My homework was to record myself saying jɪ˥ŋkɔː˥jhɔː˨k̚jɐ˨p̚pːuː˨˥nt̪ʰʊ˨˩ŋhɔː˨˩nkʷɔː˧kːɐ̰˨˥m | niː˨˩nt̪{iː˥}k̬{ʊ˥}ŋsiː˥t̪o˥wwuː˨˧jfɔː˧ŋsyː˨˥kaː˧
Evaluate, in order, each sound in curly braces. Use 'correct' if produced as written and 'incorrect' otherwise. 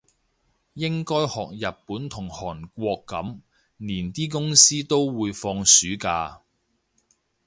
correct, correct

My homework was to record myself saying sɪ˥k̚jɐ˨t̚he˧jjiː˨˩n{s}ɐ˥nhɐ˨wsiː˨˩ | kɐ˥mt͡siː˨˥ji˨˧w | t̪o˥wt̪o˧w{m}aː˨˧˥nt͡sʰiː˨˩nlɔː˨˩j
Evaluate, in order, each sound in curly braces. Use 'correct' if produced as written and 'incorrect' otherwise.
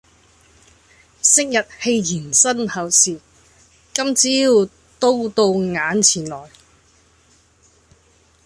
correct, incorrect

